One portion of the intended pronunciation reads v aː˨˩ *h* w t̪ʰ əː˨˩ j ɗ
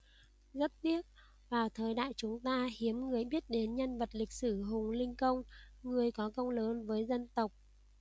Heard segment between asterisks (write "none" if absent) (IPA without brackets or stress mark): none